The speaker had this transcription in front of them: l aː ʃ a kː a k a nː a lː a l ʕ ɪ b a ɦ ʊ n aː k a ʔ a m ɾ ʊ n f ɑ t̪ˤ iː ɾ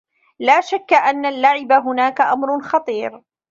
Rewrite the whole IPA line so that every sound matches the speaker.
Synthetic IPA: l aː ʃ a kː a ʔ a nː a lː a ʕ ɪ b a ɦ ʊ n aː k a ʔ a m ɾ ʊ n x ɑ t̪ˤ iː ɾ